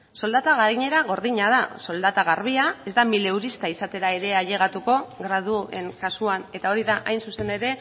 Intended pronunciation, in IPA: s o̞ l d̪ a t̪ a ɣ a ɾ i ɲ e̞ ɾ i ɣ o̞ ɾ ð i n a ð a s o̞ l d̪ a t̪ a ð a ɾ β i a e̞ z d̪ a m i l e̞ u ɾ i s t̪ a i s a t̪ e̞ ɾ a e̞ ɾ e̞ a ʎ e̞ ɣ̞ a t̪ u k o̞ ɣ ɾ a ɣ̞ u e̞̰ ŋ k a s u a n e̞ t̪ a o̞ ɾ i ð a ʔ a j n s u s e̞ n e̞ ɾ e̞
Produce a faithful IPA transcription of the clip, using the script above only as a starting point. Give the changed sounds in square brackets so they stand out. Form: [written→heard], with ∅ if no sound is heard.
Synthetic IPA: s o̞ l d̪ a t̪ a ɣ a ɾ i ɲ e̞ ɾ [i→a] ɣ o̞ ɾ ð i [n→ɲ] a ð a s o̞ l d̪ a t̪ a [ð→ɣ] a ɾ β i a e̞ z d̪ a m i l e̞ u ɾ i s t̪ a i s a t̪ e̞ ɾ a e̞ ɾ e̞ a ʎ e̞ ɣ̞ a t̪ u k o̞ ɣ ɾ a [ɣ̞→ð̞] u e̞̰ ŋ k a s u a n e̞ t̪ a o̞ ɾ i ð a ʔ a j n s u s e̞ n e̞ ɾ e̞